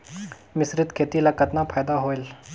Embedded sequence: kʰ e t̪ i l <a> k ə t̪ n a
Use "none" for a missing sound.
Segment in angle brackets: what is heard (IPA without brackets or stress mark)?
a